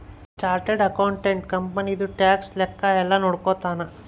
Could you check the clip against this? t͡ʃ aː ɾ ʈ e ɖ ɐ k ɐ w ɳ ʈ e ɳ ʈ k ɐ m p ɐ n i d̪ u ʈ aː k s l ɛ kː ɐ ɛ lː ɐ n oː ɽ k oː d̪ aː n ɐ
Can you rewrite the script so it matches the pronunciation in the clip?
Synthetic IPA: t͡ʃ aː ɾ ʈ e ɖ ɐ k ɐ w ɳ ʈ e ɳ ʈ k ɐ m p ɐ n i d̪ u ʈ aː k s l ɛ kː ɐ ɛ lː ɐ n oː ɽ k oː t̪ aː n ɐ

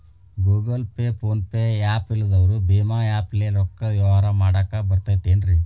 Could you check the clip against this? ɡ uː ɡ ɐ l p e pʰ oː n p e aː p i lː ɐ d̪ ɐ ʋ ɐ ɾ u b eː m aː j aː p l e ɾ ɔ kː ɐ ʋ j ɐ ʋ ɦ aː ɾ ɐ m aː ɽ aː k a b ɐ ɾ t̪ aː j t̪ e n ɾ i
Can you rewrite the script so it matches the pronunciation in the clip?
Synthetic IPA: ɡ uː ɡ ɐ l p e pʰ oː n p e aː p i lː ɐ d̪ ɐ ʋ ɐ ɾ u b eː m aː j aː p l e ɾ ɔ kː ɐ ʋ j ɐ ʋ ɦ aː ɾ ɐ m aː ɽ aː k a b ɐ ɾ t̪ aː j t̪ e n ɾ i

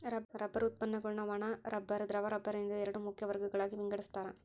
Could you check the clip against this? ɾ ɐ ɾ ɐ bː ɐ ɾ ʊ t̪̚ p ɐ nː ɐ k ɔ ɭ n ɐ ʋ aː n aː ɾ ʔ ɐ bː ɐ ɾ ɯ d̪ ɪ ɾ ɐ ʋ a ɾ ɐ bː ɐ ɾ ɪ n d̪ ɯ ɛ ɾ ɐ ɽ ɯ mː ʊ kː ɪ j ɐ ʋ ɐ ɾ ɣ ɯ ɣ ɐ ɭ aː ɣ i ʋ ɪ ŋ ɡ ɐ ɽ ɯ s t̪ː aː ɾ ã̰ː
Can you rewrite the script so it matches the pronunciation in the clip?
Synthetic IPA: ɾ ɐ ɾ ɐ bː ɐ ɾ ʊ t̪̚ p ɐ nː ɐ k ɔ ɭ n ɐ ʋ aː n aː ɾ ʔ ɐ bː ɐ ɾ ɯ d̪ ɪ ɾ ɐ ʋ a ɾ ɐ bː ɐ ɾ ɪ n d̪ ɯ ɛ ɾ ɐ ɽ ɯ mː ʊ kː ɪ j ɐ ʋ ɐ ɾ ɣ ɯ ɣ ɐ ɭ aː ɣ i ʋ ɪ ŋ ɡ ɐ ɽ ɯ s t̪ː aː ɾ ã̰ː

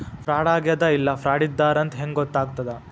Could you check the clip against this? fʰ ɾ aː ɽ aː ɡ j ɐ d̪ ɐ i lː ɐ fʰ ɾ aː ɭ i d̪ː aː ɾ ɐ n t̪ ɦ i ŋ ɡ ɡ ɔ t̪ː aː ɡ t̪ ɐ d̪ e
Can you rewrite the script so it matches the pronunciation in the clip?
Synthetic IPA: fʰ ɾ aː ɽ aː ɡ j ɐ d̪ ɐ i lː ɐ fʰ ɾ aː ɽ i d̪ː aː ɾ ɐ n t̪ ɦ e ŋ ɡ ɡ ɔ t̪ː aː ɡ t̪ ɐ d̪ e

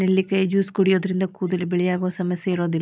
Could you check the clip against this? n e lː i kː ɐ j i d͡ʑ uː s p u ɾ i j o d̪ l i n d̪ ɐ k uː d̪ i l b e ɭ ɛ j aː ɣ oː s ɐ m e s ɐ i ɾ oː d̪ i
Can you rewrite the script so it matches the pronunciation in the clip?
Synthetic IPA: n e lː i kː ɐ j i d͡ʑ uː s k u ɽ i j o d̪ ɾ i n d̪ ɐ k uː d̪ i l b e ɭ i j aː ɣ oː s ɐ m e s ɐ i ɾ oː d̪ i

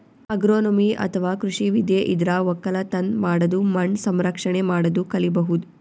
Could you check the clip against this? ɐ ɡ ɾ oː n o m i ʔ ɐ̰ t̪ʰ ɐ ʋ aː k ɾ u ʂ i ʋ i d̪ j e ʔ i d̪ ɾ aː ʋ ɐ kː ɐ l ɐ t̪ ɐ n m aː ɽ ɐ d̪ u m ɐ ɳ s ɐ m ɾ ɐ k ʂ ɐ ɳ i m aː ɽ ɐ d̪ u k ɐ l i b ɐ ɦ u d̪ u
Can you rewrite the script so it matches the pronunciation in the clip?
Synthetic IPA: ɐ ɡ ɾ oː n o m i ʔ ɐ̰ t̪ʰ ɐ ʋ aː k ɾ u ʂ i ʋ i d̪ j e ʔ i d̪ ɾ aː ʋ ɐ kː ɐ l ɐ t̪ ɐ n m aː ɽ ɐ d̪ u m ɐ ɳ s ɐ m ɾ ɐ k ʂ ɐ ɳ e m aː ɽ ɐ d̪ u k ɐ l i b ɐ ɦ u d̪ u

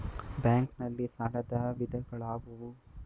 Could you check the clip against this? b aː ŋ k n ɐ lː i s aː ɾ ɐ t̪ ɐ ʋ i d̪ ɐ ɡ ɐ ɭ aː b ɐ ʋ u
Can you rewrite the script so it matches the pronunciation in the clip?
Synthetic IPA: b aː ŋ k n ɐ lː i s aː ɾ ɐ d̪ ɐ ʋ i d̪ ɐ ɡ ɐ ɭ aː b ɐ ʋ u

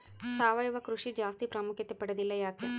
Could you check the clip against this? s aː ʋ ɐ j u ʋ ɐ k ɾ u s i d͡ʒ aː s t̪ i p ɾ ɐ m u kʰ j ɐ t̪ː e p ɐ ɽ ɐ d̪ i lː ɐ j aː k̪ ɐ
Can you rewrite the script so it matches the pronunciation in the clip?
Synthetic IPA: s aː ʋ ɐ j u ʋ ɐ k ɾ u ʂ i d͡ʒ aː s t̪ i p ɾ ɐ m u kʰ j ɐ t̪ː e p ɐ ɽ ɐ d̪ i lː ɐ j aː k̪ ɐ

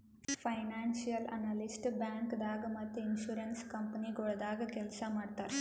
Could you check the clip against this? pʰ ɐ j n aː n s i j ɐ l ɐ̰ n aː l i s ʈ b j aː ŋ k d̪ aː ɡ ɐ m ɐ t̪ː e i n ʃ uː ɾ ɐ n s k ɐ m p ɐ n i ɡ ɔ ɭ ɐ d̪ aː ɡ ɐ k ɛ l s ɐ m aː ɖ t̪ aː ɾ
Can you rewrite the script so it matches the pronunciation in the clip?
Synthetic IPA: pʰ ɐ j n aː n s i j ɐ l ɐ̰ n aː l i s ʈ b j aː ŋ k d̪ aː ɡ ɐ m ɐ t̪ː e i n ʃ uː ɾ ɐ n s k ɐ m p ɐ n i ɡ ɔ ɭ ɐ d̪ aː ɡ ɐ k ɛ l s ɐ m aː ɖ t̪ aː ɾ

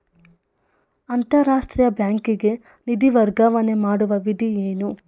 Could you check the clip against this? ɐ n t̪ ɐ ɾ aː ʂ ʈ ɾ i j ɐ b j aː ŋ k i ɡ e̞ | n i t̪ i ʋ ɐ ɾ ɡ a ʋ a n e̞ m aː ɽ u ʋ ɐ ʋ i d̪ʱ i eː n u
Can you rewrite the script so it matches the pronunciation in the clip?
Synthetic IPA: ɐ n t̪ ɐ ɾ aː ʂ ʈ ɾ i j ɐ b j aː ŋ k i ɡ e̞ | n i d̪ i ʋ ɐ ɾ ɡ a ʋ ɐ n e̞ m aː ɽ u ʋ ɐ ʋ i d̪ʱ i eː n u

